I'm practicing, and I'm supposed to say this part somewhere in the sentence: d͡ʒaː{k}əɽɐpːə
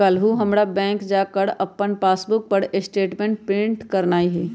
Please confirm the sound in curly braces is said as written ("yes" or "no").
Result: yes